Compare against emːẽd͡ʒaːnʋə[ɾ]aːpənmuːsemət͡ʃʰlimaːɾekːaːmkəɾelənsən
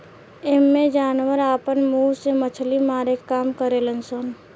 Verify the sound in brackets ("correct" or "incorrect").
correct